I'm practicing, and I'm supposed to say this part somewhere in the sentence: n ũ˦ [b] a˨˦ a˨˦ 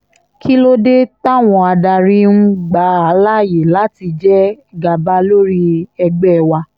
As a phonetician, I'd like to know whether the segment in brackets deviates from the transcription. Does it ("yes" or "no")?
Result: yes